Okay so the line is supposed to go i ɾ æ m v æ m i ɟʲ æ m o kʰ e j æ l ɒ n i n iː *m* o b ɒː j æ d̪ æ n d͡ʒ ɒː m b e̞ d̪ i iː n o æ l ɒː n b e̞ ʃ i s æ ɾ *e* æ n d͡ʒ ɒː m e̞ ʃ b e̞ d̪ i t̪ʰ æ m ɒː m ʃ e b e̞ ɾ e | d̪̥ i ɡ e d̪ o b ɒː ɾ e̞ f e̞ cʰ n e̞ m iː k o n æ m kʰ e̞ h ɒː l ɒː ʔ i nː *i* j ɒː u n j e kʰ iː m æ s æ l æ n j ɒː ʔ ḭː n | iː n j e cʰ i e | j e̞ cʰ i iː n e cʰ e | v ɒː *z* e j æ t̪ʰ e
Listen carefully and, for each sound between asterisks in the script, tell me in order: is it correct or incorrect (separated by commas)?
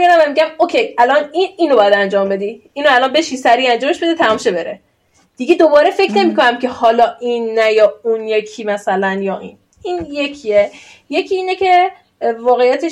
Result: incorrect, incorrect, incorrect, incorrect